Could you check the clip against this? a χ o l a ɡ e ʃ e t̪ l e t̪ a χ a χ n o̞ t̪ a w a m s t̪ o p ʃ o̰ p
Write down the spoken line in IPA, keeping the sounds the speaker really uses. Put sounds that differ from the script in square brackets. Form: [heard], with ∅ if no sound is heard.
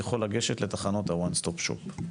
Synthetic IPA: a χ o l a ɡ e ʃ e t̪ l e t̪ a χ a [∅] n o̞ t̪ a w a [n] s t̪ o p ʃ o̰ p